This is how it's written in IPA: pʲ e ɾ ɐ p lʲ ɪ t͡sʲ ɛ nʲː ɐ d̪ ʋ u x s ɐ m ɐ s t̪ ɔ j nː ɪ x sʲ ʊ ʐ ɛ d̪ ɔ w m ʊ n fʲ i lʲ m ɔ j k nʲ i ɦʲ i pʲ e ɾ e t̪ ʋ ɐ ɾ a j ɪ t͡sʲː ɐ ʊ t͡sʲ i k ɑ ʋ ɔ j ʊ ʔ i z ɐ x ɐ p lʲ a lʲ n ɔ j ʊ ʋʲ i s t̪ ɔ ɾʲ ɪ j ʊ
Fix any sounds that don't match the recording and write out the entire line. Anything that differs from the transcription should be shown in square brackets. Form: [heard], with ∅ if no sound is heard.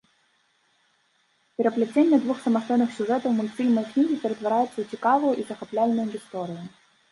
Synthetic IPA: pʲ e ɾ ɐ p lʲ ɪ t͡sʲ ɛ nʲː ɐ d̪ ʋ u x s ɐ m ɐ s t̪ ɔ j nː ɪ x sʲ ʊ ʐ ɛ [t̪] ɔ w m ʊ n fʲ i lʲ m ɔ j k nʲ i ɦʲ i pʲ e ɾ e t̪ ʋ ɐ ɾ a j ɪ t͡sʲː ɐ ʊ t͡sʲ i k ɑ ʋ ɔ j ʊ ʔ i z ɐ x ɐ p lʲ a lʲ n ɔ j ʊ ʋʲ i s t̪ ɔ ɾʲ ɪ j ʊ

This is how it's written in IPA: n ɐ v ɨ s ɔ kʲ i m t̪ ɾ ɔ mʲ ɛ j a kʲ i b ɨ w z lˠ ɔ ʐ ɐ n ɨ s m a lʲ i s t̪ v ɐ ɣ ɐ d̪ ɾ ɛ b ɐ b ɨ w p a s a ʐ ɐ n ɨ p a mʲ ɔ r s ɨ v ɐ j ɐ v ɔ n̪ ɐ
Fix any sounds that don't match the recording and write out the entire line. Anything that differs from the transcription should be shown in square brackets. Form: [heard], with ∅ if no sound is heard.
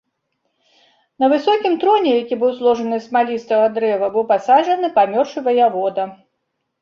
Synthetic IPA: n ɐ v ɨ s ɔ kʲ i m t̪ ɾ ɔ [nʲ] ɛ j a kʲ i b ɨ w z lˠ ɔ ʐ ɐ n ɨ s m a lʲ i s t̪ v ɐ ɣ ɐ d̪ ɾ ɛ [v] ɐ b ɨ w p a s a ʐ ɐ n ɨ p a mʲ ɔ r [ʂ] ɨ v ɐ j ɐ v ɔ [d̪] ɐ

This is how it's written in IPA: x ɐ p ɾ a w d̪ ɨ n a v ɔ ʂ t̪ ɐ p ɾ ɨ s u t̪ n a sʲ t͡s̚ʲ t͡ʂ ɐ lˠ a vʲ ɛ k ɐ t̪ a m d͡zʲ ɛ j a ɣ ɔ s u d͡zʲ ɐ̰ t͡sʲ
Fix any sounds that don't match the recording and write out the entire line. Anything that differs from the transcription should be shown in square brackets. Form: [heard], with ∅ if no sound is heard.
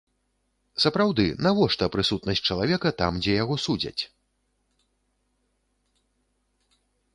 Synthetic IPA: [s] ɐ p ɾ a w d̪ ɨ n a v ɔ ʂ t̪ ɐ p ɾ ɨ s u t̪ n [ɐ] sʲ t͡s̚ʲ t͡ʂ ɐ lˠ a vʲ ɛ k ɐ t̪ a m d͡zʲ ɛ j a ɣ ɔ s u d͡zʲ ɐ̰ t͡sʲ

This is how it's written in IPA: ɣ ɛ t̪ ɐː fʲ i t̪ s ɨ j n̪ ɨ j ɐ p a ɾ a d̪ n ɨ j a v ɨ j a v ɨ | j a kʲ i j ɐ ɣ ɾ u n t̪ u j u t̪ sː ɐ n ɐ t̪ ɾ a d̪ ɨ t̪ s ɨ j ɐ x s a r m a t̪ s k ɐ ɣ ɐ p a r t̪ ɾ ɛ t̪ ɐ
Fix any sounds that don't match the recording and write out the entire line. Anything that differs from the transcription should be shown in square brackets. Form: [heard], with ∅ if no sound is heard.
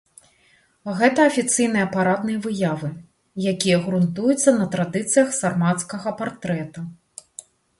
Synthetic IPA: ɣ ɛ t̪ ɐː fʲ i t̪ s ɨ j n̪ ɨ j ɐ p a ɾ a d̪ n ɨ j [ɐ] v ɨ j a v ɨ | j a kʲ i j ɐ ɣ ɾ u n t̪ u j u t̪ sː ɐ n ɐ t̪ ɾ a d̪ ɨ t̪ s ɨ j ɐ x s a r m a t̪ s k ɐ ɣ ɐ p a r t̪ ɾ ɛ t̪ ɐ

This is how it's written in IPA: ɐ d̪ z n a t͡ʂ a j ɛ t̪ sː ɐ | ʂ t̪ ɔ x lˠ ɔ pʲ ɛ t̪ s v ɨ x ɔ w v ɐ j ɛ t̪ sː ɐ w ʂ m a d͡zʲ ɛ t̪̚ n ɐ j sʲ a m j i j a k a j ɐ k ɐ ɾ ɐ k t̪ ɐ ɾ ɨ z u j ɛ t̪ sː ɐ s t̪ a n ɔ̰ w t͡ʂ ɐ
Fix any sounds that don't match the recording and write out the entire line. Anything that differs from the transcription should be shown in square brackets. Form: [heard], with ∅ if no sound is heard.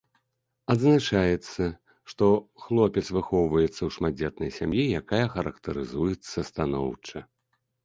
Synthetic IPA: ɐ d̪ z n a t͡ʂ a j ɛ t̪ sː ɐ | ʂ t̪ ɔ x lˠ ɔ pʲ ɛ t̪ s v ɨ x ɔ w v ɐ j ɛ t̪ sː ɐ w ʂ m a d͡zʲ ɛ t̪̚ n ɐ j sʲ a m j i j a k a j ɐ [x] ɐ ɾ ɐ k t̪ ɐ ɾ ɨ z u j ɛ t̪ sː ɐ s t̪ a n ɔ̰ w t͡ʂ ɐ

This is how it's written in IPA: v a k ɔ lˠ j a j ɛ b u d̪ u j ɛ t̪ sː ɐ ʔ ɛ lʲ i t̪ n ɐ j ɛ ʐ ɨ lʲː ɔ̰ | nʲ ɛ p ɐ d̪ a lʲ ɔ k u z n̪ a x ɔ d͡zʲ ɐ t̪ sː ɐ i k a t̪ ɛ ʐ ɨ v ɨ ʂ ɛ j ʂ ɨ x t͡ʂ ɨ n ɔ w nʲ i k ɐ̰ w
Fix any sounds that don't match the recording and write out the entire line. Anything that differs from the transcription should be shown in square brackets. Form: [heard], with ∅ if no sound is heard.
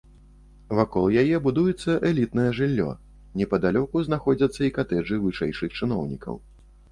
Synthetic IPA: v a k ɔ lˠ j a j ɛ b u d̪ u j ɛ t̪ sː ɐ ʔ ɛ lʲ i t̪ n ɐ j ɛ ʐ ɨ lʲː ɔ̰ | nʲ ɛ p ɐ d̪ a lʲ ɔ k u z n̪ a x ɔ d͡zʲ ɐ t̪ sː ɐ i k a t̪ ɛ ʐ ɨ v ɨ ʂ ɛ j ʂ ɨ x t͡ʂ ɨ n ɔ w nʲ i k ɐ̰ w

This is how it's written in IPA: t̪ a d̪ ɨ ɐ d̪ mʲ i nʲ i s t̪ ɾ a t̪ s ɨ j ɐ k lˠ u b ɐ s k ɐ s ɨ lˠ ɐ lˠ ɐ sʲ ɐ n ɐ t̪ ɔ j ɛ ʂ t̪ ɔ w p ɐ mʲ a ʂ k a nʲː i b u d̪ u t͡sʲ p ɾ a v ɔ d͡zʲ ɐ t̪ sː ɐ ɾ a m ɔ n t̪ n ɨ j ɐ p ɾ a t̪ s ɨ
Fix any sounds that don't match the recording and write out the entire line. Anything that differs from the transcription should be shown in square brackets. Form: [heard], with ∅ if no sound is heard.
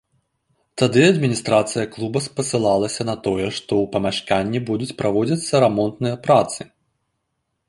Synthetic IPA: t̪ a d̪ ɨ ɐ d̪ mʲ i nʲ i s t̪ ɾ a t̪ s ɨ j ɐ k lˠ u b ɐ s [p] ɐ s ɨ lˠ [a] lˠ ɐ sʲ ɐ n ɐ t̪ ɔ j ɛ ʂ t̪ ɔ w p ɐ mʲ a ʂ k a nʲː i b u d̪ u t͡sʲ p ɾ a v ɔ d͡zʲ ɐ t̪ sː ɐ ɾ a m ɔ n t̪ n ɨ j ɐ p ɾ a t̪ s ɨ

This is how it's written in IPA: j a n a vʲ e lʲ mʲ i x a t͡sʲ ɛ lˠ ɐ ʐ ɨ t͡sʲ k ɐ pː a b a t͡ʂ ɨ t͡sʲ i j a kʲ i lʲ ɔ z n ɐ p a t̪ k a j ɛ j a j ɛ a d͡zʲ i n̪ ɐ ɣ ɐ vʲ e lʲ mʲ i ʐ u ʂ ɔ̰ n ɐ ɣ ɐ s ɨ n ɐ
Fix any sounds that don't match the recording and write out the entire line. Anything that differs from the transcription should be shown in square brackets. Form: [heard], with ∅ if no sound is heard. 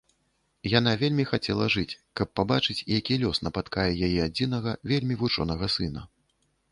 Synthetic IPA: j a n a vʲ e lʲ mʲ i x a t͡sʲ ɛ lˠ ɐ ʐ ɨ t͡sʲ k ɐ pː a b a t͡ʂ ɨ t͡sʲ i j a kʲ i lʲ ɔ [s] n ɐ p a t̪ k a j ɛ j a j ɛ a d͡zʲ i n̪ ɐ ɣ ɐ vʲ e lʲ mʲ i [v] u [t͡ʂ] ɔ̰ n ɐ ɣ ɐ s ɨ n ɐ

